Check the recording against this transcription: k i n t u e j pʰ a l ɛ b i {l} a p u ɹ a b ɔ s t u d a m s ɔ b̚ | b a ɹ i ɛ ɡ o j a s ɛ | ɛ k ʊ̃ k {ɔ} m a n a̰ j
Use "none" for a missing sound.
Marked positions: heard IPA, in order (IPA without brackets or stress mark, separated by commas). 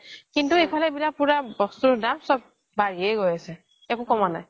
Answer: l, ɔ